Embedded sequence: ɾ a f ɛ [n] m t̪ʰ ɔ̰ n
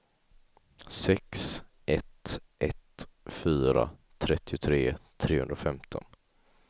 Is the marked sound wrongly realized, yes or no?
yes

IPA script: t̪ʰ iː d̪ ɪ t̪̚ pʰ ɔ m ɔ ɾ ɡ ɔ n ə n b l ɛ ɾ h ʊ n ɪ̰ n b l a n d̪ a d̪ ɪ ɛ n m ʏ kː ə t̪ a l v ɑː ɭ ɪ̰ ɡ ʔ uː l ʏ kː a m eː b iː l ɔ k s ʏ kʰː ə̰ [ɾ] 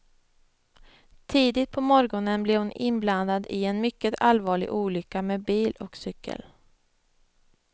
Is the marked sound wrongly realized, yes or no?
yes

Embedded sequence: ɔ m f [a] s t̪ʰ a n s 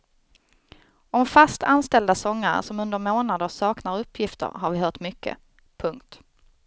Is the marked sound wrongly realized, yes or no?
no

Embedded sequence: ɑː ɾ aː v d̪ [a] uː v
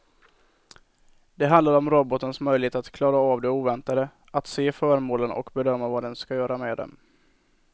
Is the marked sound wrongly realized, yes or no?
yes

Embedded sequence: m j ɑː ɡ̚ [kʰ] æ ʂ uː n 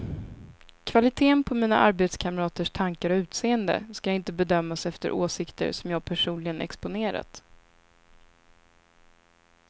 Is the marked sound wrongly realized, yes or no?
yes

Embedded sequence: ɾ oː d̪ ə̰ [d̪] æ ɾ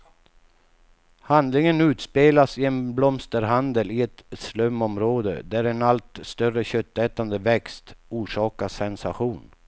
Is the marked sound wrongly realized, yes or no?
no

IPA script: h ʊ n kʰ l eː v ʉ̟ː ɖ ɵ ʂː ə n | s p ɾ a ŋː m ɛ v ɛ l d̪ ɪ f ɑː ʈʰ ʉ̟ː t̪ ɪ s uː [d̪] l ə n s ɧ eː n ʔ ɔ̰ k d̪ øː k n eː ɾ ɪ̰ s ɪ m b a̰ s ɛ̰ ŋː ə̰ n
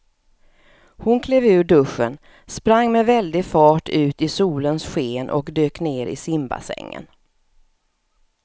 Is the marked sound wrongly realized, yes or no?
yes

